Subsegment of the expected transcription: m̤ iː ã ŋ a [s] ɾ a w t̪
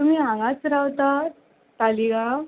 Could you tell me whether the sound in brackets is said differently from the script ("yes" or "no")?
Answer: yes